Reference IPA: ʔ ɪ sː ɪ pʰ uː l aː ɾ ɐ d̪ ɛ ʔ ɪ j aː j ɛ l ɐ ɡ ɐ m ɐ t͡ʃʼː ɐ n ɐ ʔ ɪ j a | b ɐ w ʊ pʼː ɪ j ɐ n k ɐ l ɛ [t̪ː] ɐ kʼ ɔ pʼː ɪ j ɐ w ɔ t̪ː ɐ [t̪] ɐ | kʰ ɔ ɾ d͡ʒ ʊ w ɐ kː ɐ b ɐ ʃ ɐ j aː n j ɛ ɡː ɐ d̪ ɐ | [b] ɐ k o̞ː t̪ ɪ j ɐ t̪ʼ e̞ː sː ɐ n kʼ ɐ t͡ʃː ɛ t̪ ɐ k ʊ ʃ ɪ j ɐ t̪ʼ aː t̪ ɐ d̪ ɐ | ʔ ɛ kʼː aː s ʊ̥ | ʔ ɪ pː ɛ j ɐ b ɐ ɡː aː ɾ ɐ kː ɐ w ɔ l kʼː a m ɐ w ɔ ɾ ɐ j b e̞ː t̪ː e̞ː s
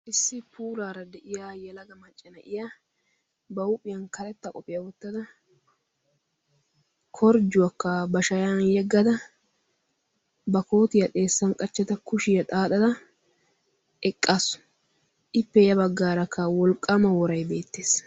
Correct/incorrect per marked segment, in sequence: correct, incorrect: d̪, correct

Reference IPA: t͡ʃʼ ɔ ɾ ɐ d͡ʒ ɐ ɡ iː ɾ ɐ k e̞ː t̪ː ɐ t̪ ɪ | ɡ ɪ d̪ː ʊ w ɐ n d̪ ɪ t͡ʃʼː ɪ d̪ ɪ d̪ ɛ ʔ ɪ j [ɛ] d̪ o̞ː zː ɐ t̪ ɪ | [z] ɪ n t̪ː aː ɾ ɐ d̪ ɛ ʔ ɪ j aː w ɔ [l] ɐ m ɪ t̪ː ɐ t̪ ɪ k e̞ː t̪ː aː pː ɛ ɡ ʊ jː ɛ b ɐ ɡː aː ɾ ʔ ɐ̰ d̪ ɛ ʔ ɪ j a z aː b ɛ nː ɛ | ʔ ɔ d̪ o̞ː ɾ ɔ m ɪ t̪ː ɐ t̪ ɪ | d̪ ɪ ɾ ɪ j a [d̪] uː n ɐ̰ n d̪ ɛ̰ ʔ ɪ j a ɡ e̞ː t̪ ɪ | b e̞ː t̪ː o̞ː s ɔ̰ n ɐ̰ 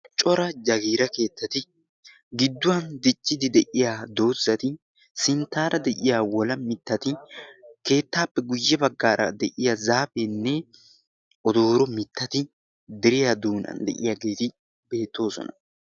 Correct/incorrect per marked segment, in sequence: incorrect: a, incorrect: s, correct, correct

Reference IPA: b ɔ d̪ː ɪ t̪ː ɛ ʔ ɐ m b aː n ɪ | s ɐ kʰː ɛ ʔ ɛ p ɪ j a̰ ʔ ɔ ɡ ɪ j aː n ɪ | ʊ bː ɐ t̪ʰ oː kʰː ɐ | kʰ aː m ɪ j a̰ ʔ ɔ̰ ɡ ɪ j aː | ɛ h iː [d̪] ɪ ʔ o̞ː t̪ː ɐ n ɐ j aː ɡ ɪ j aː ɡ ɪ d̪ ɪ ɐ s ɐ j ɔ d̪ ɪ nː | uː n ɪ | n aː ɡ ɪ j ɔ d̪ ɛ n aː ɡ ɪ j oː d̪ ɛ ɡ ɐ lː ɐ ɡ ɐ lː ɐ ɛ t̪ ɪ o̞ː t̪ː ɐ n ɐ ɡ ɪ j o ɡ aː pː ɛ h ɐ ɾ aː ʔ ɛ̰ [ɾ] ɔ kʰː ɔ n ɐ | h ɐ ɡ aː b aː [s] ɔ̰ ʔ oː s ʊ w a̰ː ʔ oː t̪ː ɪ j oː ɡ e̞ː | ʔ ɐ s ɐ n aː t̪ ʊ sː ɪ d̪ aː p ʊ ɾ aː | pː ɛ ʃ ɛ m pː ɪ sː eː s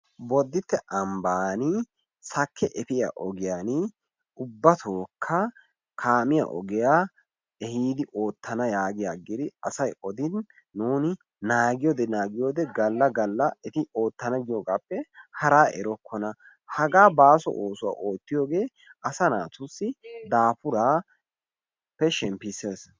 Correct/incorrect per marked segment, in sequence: correct, correct, correct

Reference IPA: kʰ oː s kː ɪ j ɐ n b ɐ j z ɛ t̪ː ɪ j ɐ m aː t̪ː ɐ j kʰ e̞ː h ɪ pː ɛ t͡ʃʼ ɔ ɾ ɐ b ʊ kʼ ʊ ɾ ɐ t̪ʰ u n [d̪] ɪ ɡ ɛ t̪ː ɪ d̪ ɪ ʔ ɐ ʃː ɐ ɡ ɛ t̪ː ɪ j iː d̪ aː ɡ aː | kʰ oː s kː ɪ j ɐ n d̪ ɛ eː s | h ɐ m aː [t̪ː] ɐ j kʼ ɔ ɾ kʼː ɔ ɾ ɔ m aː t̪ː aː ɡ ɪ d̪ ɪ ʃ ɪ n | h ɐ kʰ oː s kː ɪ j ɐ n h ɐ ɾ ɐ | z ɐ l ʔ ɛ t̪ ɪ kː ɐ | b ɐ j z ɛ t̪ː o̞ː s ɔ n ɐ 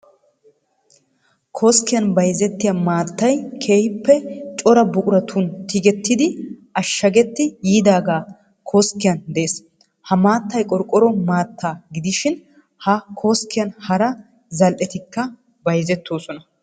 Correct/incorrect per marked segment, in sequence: incorrect: t̪, correct

